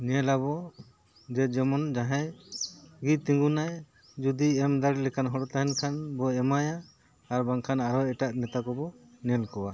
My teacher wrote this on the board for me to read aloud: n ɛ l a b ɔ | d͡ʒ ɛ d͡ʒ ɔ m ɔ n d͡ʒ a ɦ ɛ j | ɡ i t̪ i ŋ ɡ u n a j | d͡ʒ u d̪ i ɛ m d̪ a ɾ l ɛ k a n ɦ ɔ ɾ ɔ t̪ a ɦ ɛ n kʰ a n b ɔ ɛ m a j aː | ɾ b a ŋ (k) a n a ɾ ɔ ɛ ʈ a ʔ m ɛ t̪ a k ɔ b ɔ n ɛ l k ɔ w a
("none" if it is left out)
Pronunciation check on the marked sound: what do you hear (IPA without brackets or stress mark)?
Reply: kʰ